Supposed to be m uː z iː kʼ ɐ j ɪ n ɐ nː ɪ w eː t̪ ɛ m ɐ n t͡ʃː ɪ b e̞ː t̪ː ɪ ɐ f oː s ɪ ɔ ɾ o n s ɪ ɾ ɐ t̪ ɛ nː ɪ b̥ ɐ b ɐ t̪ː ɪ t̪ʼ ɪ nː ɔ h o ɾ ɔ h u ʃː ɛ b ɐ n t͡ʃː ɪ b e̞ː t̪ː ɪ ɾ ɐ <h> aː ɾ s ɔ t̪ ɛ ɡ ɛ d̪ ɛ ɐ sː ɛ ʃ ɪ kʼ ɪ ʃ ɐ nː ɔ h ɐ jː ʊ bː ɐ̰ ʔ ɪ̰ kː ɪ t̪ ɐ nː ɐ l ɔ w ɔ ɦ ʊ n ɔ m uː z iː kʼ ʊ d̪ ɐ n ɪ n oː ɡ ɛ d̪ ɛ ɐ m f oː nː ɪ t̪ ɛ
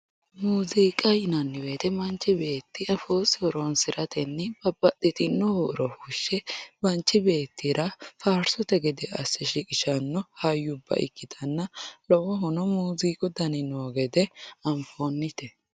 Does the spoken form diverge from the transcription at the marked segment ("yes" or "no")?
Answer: yes